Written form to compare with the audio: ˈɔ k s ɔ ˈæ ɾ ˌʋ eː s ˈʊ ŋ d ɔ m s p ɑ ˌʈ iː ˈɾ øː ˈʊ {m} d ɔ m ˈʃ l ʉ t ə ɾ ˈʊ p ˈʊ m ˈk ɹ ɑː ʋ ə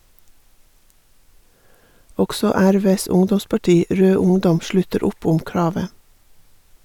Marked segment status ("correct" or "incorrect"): incorrect